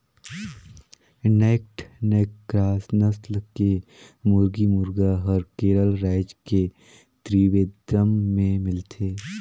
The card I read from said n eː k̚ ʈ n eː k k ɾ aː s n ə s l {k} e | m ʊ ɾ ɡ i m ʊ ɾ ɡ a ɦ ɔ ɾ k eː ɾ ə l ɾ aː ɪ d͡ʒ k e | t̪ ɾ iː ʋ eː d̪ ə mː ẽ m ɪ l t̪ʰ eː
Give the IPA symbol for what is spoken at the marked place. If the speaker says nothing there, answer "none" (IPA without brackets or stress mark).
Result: k